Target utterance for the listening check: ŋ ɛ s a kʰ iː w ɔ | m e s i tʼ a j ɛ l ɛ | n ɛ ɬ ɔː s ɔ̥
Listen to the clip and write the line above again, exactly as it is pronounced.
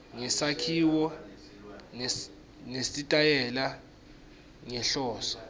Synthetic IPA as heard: ŋ ɛ s a kʰ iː w ɔ | n e s i tʼ a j ɛ l a | ŋ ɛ ɬ ɔː s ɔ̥

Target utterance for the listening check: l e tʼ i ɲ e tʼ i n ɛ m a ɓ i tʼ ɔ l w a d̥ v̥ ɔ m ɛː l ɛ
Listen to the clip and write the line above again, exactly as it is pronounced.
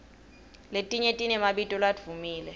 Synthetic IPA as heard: l e tʼ i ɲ e tʼ i n ɛ m a ɓ i tʼ ɔ l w a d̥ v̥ u m iː l ɛ

